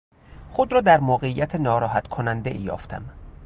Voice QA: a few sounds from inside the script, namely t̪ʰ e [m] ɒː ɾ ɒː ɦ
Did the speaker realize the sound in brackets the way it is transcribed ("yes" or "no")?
no